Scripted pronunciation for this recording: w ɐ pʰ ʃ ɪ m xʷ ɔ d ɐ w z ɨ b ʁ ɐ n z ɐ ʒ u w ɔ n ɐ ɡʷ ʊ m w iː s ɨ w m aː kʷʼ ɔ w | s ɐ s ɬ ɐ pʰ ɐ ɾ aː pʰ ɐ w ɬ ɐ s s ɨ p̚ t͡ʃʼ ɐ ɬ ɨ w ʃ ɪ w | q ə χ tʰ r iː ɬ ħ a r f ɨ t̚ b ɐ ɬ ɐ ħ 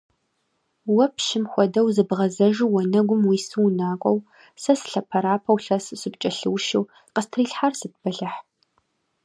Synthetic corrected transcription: w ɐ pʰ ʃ ɪ m xʷ ɔ d ɐ w z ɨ b ʁ ɐ z ɐ ʒ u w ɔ n ɐ ɡʷ ʊ m w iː s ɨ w n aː kʷʼ ɔ w | s ɐ s ɬ ɐ pʰ ɐ ɾ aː pʰ ɐ w ɬ ɐ s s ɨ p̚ t͡ʃʼ ɐ ɬ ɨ w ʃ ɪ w | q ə s tʰ r iː ɬ ħ a r s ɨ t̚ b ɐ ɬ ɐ ħ